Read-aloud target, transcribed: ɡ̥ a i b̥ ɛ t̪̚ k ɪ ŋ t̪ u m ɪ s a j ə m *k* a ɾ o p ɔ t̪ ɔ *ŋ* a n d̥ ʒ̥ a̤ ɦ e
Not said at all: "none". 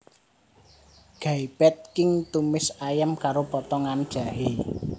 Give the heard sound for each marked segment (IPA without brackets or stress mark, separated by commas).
k, ŋ